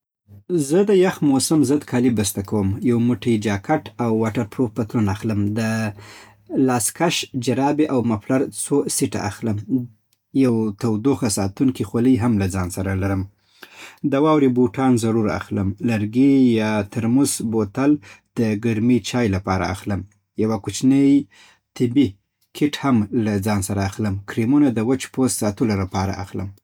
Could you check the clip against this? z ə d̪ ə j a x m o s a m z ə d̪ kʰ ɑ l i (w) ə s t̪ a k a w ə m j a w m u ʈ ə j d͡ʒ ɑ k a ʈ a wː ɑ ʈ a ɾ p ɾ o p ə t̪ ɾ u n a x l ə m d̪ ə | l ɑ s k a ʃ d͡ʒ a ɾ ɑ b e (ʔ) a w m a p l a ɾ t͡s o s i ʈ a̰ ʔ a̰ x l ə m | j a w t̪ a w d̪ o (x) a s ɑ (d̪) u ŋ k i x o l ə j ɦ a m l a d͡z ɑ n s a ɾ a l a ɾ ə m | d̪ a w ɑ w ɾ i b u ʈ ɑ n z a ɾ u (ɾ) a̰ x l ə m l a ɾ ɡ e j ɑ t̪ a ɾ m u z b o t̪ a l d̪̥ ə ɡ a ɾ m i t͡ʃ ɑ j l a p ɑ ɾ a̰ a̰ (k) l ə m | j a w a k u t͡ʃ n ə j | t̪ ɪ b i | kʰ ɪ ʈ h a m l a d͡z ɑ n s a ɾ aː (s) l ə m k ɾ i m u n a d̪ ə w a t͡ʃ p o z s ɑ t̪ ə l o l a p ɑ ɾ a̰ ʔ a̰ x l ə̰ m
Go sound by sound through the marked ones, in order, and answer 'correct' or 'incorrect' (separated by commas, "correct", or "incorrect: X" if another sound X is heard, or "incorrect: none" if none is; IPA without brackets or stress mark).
incorrect: b, correct, correct, incorrect: t̪, correct, incorrect: x, incorrect: x